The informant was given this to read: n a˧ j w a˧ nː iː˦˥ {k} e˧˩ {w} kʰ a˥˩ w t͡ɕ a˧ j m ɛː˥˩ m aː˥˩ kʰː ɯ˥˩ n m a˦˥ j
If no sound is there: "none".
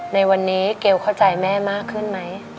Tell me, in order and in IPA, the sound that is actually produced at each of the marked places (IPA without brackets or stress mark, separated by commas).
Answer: k, w